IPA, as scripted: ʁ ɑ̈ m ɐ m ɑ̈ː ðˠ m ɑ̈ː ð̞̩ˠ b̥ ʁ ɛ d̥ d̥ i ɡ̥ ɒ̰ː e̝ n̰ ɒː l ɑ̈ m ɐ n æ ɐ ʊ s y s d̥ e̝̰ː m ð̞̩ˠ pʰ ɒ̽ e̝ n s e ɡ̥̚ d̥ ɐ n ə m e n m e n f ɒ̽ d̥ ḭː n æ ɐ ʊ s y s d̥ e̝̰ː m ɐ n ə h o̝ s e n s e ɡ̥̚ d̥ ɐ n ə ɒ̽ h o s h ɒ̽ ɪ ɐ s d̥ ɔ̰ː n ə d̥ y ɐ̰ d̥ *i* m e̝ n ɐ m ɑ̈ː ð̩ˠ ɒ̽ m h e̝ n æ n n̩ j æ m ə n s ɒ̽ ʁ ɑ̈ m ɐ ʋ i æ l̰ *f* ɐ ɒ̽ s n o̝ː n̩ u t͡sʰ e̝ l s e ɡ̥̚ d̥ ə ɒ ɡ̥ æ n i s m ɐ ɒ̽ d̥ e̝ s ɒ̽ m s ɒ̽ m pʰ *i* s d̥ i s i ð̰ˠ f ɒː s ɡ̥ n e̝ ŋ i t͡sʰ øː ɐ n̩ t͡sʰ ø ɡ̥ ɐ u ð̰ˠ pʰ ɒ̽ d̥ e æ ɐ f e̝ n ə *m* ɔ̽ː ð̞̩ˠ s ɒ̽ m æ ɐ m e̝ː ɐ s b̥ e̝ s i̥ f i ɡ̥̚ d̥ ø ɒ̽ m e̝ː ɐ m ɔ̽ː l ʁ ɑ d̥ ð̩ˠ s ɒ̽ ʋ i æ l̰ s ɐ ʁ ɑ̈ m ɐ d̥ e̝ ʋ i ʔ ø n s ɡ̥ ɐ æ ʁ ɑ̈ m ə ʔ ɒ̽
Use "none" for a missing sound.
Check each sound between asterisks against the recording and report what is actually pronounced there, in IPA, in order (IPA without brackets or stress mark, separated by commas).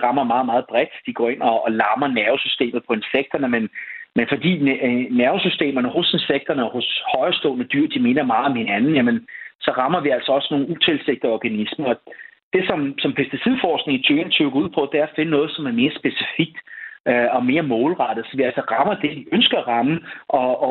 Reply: i, s, e, n